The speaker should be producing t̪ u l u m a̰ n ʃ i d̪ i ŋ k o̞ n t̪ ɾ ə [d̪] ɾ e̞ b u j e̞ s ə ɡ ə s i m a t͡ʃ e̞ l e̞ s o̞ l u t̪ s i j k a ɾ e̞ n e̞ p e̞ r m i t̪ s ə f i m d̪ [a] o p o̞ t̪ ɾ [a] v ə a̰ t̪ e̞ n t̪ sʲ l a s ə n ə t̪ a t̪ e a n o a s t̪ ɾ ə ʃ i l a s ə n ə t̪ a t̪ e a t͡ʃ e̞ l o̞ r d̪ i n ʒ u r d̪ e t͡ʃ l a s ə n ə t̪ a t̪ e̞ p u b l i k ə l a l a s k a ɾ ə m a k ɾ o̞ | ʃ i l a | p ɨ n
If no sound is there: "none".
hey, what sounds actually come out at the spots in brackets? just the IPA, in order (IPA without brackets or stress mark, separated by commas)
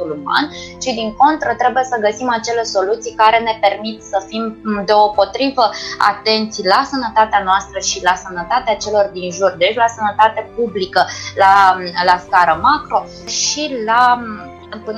t̪, e, i